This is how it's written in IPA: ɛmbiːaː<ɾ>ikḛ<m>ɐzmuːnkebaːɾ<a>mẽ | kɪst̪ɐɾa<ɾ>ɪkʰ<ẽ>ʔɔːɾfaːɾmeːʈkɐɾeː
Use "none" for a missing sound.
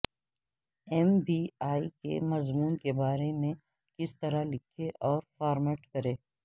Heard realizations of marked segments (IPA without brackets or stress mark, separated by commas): none, m, e, l, e